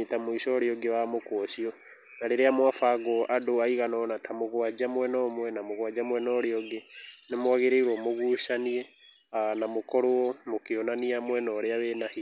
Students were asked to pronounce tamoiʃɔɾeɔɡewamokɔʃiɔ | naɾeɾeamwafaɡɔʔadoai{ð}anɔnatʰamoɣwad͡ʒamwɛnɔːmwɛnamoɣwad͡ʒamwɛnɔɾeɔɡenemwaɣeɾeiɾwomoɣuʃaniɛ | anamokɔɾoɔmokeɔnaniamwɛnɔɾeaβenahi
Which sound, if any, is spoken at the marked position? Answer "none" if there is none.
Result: ɣ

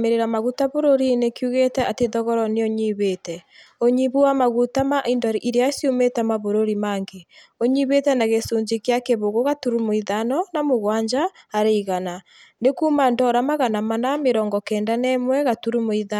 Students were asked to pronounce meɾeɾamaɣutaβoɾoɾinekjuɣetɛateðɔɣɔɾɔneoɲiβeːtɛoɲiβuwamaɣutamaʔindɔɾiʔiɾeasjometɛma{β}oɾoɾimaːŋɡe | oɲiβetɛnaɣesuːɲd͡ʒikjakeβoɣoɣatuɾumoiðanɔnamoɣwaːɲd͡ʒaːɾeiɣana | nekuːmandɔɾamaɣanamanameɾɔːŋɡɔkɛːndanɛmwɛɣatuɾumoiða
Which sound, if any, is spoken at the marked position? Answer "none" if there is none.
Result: β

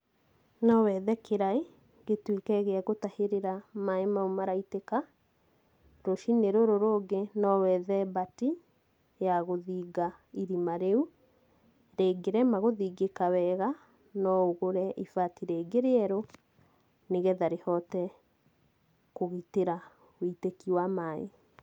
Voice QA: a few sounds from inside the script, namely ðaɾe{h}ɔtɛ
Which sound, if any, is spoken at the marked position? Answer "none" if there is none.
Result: h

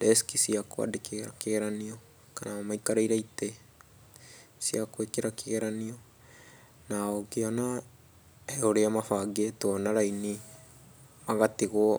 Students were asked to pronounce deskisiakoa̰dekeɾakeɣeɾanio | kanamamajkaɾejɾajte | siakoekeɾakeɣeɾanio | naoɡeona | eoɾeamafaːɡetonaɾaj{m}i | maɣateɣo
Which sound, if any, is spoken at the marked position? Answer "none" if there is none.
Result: n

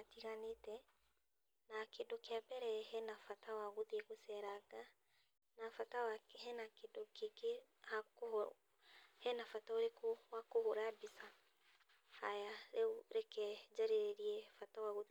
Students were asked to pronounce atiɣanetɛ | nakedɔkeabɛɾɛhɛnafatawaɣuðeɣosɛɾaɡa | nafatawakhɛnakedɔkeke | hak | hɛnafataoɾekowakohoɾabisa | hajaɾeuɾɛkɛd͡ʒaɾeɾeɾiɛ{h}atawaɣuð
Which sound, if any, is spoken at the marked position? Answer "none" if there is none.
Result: f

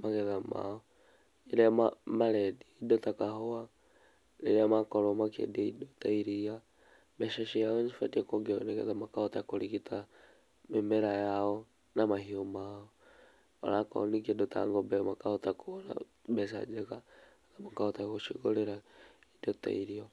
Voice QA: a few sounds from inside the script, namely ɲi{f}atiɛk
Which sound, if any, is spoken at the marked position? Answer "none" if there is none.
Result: f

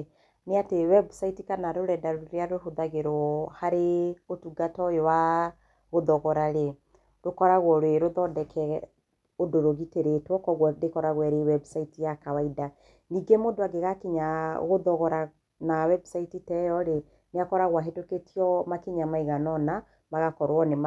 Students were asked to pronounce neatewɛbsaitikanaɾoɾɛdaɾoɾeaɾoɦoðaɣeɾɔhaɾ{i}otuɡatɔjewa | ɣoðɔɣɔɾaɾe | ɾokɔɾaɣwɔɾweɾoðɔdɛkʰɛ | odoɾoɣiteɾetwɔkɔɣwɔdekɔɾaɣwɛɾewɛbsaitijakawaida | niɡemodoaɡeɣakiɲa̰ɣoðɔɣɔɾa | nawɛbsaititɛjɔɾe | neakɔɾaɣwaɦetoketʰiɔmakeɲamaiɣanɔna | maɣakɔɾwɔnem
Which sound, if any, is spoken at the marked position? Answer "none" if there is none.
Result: e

